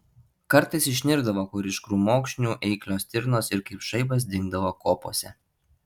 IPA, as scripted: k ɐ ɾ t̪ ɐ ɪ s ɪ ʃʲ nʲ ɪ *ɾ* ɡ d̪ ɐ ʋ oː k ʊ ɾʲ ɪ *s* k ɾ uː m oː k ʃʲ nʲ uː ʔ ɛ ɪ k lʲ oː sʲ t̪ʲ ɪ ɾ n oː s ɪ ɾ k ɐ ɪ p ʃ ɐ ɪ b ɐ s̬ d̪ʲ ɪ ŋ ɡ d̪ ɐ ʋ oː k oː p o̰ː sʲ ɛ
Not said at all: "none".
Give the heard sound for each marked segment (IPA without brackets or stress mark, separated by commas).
ɾ, ʃ